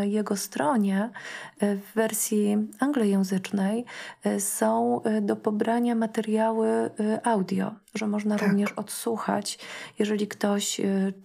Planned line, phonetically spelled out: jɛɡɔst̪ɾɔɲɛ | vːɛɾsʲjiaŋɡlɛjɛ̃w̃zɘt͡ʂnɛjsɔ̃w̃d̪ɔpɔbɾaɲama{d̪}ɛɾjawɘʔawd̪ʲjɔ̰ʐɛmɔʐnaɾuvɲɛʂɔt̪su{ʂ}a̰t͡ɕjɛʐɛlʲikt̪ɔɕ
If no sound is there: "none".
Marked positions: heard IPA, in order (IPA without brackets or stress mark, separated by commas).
t̪, x